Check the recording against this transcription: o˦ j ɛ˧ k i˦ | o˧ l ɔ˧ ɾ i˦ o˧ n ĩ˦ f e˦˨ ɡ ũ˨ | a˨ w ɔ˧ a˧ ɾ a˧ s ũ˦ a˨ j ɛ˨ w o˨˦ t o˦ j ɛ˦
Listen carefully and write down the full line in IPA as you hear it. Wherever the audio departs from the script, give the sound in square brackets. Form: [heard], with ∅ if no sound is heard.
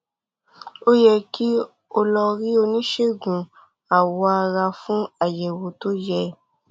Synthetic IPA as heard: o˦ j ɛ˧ k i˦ | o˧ l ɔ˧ ɾ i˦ o˧ n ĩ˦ [ʃ] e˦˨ ɡ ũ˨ | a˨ w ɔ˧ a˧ ɾ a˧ [f] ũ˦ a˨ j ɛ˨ w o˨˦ t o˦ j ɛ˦